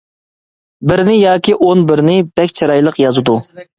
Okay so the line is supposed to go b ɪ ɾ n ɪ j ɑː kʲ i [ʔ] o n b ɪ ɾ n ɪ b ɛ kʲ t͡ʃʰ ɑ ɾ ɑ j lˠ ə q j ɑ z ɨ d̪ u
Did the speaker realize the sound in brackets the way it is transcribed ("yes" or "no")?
yes